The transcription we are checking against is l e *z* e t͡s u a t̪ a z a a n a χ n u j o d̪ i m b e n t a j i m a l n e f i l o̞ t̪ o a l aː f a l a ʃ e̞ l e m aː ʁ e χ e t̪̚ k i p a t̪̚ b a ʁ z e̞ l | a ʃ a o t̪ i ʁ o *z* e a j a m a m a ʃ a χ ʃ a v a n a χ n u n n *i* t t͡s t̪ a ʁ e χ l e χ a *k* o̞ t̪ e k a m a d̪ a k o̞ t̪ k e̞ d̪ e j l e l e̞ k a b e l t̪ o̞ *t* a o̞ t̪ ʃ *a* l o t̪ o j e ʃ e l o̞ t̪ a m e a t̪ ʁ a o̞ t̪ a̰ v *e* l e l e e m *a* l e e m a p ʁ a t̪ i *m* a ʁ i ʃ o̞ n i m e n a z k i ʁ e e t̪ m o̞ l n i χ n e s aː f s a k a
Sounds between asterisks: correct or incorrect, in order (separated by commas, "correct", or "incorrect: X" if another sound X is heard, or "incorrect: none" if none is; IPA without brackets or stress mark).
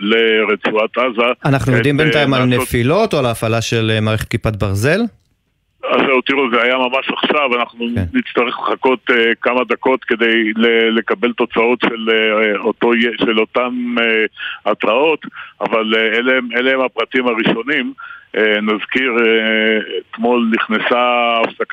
incorrect: ʁ, correct, correct, correct, incorrect: t͡s, incorrect: e, incorrect: a, incorrect: e, correct